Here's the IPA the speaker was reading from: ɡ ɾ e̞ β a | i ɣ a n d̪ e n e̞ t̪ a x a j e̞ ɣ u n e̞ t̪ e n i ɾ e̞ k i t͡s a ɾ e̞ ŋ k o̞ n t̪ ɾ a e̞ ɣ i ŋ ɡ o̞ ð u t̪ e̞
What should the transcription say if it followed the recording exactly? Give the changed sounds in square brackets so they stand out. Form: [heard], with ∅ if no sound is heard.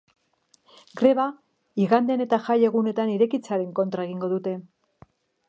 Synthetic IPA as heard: ɡ ɾ e̞ β a | i ɣ a n d̪ e n e̞ t̪ a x a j e̞ ɣ u n e̞ t̪ [a] n i ɾ e̞ k i t͡s a ɾ e̞ ŋ k o̞ n t̪ ɾ a e̞ ɣ i ŋ ɡ o̞ ð u t̪ e̞

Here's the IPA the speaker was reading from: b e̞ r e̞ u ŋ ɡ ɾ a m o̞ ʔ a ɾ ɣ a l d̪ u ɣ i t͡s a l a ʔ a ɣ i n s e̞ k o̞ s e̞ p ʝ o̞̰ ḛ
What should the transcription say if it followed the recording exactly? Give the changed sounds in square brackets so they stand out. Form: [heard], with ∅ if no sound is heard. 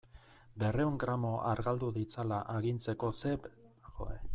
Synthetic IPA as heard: b e̞ r e̞ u ŋ ɡ ɾ a m o̞ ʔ a ɾ ɣ a l d̪ u [ð] i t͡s a l a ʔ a ɣ i n [t͡s] e̞ k o̞ s e̞ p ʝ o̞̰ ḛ

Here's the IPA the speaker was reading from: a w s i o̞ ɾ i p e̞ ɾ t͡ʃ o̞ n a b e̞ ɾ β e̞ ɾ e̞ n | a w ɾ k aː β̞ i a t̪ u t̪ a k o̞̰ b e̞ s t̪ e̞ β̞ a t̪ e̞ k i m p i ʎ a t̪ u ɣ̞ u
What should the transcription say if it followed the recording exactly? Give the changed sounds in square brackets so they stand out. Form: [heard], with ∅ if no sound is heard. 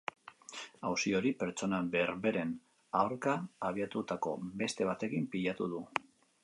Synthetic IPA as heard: a w s i o̞ ɾ i p e̞ ɾ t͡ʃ o̞ n a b e̞ ɾ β e̞ ɾ e̞ n | a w ɾ k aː β̞ i a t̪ u t̪ a k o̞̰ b e̞ s t̪ e̞ β̞ a t̪ e̞ k i m p i ʎ a t̪ u [ð̞] u

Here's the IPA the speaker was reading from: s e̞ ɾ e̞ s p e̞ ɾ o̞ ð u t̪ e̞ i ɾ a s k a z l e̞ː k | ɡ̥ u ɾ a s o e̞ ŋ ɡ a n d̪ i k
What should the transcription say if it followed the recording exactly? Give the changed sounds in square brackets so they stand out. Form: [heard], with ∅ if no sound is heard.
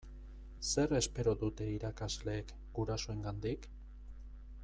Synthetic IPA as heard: s e̞ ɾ e̞ s p e̞ ɾ o̞ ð u t̪ e̞ i ɾ a [∅] k a z l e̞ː k | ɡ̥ u ɾ a s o e̞ ŋ ɡ a n d̪ i k

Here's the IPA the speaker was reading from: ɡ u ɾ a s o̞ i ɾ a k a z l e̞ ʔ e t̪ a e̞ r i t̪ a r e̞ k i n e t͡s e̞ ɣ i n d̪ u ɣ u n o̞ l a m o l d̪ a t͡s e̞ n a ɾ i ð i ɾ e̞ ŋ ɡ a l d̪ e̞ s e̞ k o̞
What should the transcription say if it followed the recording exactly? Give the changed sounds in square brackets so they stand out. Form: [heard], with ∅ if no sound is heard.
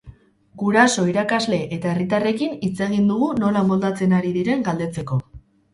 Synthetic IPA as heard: ɡ u ɾ a s o̞ i ɾ a k a z l e̞ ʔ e t̪ a e̞ r i t̪ a r e̞ k i n [i] t͡s e̞ ɣ i n d̪ u ɣ u n o̞ l a m o l d̪ a t͡s e̞ n a ɾ i ð i ɾ e̞ ŋ ɡ a l d̪ e̞ [t͡s] e̞ k o̞

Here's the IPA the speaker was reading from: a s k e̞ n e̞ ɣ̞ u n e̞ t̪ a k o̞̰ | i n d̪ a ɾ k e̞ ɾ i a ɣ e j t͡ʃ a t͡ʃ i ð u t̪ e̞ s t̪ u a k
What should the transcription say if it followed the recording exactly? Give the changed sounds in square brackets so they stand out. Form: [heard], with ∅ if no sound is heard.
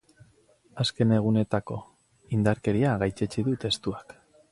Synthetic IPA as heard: a s k e̞ n e̞ ɣ̞ u n e̞ t̪ a k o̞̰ | i n d̪ a ɾ k e̞ ɾ i a ɣ [a] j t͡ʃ [e] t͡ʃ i ð u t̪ e̞ s t̪ u a k

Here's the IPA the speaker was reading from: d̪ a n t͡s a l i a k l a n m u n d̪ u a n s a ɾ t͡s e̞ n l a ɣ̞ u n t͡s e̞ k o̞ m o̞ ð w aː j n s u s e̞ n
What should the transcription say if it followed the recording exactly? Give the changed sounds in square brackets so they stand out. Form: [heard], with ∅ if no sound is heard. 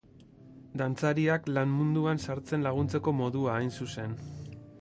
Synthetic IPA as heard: d̪ a n t͡s a [ɾ] i a k l a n m u n d̪ u a n s a ɾ t͡s e̞ n l a ɣ̞ u n t͡s e̞ k o̞ m o̞ ð [u] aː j n s u s e̞ n

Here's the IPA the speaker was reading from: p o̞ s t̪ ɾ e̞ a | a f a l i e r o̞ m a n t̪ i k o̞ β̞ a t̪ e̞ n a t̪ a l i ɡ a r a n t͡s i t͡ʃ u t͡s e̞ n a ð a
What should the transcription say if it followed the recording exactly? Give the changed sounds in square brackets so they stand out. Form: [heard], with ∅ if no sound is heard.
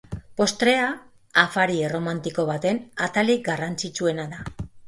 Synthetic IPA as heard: p o̞ s t̪ ɾ e̞ a | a f a [ɾ] i e r o̞ m a n t̪ i k o̞ β̞ a t̪ e̞ n a t̪ a l i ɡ a r a n t͡s i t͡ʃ u [∅] e̞ n a ð a

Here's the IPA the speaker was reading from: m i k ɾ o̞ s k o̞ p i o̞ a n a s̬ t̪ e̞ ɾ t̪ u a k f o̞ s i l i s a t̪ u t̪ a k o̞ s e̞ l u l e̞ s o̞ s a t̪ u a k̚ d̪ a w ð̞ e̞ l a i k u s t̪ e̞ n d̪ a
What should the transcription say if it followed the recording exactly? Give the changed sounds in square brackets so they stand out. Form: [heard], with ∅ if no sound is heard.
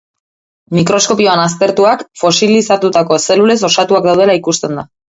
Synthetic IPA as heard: m i k ɾ o̞ s k o̞ p i o̞ a n a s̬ t̪ e̞ ɾ t̪ u a k f o̞ s i l i s a t̪ u t̪ a k o̞ s e̞ l u l e̞ s o̞ s a t̪ u a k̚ d̪ a w ð̞ e̞ l a i k u s t̪ e̞ n d̪ a

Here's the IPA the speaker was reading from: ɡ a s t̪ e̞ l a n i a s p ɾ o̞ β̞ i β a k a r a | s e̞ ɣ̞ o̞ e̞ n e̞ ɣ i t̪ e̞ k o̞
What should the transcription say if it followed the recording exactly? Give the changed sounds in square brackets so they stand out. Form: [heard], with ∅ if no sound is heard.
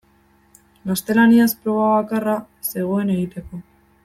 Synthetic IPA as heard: ɡ a s t̪ e̞ l a n i a s p ɾ o̞ β̞ [a] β a k a r a | s e̞ ɣ̞ o̞ e̞ n e̞ ɣ i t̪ e̞ k o̞

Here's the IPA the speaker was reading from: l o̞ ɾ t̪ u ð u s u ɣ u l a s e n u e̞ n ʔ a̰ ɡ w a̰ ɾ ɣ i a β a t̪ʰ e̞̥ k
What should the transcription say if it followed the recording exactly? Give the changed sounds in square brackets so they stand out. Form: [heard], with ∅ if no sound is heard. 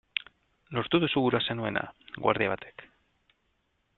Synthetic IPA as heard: l o̞ ɾ t̪ u ð u s u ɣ u [ɾ] a s e n u e̞ n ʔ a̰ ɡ w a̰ ɾ [ð] i a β a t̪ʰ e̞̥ k

